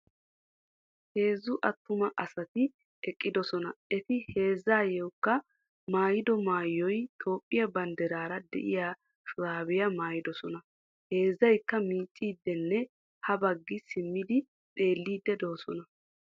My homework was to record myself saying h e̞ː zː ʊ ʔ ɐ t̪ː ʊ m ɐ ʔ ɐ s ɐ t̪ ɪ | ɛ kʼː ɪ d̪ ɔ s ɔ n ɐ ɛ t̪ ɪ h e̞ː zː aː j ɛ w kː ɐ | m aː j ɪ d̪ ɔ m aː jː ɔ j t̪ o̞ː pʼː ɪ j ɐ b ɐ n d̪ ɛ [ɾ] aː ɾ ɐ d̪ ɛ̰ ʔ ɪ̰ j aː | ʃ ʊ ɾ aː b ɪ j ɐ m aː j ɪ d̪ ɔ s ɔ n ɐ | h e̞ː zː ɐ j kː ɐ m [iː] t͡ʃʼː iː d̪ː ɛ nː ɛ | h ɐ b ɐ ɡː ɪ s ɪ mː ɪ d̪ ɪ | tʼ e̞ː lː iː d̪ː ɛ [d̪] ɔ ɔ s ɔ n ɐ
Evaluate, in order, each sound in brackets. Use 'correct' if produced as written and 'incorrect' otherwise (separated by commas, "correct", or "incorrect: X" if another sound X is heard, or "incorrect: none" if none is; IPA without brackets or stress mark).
correct, correct, correct